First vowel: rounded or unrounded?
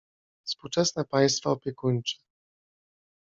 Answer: rounded